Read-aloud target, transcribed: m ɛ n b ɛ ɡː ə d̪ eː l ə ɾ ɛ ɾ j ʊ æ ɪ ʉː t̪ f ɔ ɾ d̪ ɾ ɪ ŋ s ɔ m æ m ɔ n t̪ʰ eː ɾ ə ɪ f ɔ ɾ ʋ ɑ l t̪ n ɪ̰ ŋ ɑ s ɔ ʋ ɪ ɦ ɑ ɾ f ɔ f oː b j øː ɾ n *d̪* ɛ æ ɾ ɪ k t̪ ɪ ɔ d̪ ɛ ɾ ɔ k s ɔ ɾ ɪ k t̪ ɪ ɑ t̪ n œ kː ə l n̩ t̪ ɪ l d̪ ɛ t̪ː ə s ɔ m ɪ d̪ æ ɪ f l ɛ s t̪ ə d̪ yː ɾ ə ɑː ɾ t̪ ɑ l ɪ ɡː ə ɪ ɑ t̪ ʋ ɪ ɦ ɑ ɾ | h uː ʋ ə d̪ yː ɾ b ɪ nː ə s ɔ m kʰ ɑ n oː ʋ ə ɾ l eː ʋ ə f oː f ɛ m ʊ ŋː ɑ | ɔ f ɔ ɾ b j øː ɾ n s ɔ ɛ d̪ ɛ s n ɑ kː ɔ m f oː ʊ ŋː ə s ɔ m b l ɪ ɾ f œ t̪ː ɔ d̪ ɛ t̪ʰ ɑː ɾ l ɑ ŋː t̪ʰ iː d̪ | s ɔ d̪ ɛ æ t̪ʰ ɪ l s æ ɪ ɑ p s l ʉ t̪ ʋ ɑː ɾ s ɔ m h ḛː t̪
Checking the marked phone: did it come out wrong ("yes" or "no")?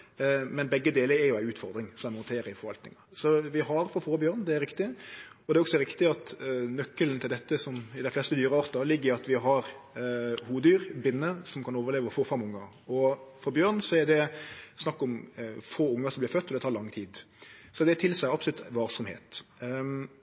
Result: no